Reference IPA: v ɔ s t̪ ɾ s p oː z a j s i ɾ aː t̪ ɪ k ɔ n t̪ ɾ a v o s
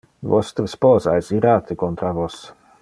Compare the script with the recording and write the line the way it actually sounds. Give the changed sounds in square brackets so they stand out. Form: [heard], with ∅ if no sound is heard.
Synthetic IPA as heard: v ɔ s t̪ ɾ s p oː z a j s i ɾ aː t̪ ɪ k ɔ n t̪ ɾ a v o s